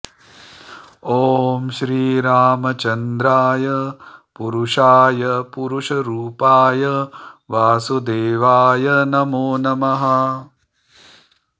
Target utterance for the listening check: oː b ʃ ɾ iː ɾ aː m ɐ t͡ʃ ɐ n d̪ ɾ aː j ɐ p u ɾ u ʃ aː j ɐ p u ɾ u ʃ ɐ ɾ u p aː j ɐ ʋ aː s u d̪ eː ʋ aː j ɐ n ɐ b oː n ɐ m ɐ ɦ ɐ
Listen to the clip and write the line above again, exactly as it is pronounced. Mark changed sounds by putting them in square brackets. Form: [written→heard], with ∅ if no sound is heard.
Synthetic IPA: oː [b→m] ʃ ɾ iː ɾ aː m ɐ t͡ʃ ɐ n d̪ ɾ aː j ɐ p u ɾ u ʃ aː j ɐ p u ɾ u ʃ ɐ ɾ [u→uː] p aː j ɐ ʋ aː s u d̪ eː ʋ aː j ɐ n ɐ [b→m] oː n ɐ m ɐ ɦ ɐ